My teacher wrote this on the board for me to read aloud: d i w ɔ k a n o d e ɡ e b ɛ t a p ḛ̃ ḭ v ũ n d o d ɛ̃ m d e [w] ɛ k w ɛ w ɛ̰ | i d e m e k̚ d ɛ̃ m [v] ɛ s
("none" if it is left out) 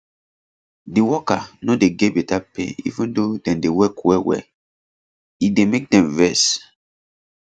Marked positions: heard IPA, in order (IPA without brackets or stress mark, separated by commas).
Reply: w, v